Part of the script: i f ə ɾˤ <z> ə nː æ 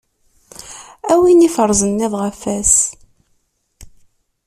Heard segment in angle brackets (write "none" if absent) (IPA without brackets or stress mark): z